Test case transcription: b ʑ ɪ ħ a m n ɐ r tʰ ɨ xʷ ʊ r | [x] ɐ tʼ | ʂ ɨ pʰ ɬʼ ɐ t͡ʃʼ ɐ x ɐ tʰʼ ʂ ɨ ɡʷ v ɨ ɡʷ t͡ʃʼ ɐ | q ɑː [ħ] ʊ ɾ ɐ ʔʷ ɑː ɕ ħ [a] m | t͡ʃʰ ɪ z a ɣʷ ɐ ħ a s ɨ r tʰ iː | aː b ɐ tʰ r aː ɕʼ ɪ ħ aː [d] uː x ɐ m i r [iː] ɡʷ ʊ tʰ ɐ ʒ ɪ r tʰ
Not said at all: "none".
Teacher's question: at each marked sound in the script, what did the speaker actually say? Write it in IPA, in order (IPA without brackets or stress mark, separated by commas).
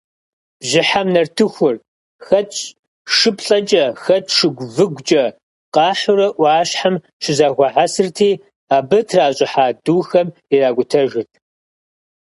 x, ħ, a, d, aː